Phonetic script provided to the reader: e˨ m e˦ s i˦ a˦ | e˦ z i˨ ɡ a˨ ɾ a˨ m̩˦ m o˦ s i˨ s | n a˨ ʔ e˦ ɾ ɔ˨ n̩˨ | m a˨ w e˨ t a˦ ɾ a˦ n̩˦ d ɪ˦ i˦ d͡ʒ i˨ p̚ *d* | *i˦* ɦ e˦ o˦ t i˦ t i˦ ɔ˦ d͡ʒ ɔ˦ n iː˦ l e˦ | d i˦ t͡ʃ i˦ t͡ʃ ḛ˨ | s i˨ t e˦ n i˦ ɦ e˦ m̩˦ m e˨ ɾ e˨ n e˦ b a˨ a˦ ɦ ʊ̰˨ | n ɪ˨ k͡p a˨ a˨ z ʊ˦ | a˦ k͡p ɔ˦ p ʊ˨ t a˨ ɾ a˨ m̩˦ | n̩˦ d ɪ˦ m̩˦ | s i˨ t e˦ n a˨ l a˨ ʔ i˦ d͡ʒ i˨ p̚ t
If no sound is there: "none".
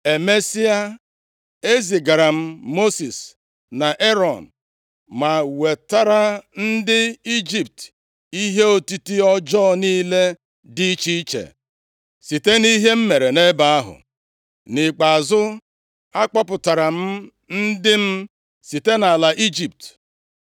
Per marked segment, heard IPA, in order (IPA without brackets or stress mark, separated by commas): t, i˦